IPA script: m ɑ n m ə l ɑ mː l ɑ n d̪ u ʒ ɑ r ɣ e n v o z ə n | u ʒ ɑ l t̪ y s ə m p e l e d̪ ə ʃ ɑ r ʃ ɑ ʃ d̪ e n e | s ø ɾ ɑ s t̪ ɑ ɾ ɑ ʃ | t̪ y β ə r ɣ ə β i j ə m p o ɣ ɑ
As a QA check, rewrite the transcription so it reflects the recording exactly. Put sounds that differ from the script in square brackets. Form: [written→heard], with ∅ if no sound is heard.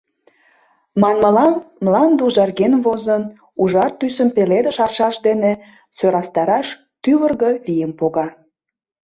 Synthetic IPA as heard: m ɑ n m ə l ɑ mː l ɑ n d̪ u ʒ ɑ r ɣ e n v o z ə n | u ʒ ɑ [l→r] t̪ y s ə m p e l e d̪ ə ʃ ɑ r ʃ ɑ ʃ d̪ e n e | s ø ɾ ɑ s t̪ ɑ ɾ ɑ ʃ | t̪ y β ə r ɣ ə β i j ə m p o ɣ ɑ